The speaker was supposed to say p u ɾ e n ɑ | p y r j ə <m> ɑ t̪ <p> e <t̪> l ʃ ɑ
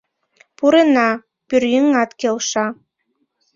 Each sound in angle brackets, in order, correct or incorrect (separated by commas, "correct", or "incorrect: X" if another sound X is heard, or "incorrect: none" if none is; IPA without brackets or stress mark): incorrect: ŋ, incorrect: k, incorrect: none